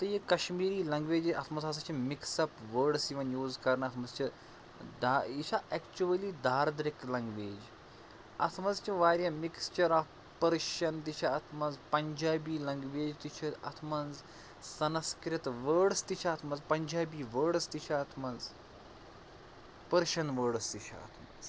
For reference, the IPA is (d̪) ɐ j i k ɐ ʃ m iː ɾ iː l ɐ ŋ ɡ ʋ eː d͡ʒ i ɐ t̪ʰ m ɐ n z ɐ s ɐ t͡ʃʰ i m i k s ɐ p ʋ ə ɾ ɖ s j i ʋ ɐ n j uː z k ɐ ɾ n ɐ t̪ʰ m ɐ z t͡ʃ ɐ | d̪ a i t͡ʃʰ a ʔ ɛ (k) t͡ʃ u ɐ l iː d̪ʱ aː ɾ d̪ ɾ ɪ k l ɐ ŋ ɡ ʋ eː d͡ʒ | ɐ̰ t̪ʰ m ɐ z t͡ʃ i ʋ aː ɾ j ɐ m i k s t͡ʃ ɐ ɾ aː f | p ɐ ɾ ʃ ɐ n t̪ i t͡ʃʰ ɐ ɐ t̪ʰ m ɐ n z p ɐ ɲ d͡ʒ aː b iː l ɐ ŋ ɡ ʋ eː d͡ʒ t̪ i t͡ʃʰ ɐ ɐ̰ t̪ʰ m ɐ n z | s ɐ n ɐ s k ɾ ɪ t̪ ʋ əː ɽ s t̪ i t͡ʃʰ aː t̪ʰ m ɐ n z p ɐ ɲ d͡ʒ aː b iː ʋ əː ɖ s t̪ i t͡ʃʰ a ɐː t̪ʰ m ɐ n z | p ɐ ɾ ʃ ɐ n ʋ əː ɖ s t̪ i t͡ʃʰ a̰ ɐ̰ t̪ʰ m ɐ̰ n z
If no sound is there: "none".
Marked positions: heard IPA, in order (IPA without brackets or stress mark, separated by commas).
t̪, k